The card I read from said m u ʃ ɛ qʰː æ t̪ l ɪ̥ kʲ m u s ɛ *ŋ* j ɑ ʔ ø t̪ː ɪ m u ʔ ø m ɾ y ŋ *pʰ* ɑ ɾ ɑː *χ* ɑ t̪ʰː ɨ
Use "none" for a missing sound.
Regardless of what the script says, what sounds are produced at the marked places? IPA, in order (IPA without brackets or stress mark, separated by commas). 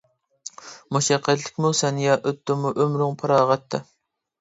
n, pʰ, ʁ